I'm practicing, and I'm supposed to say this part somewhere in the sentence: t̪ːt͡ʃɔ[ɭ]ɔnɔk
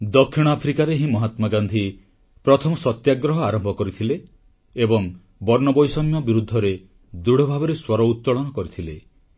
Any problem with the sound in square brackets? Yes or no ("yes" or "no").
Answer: no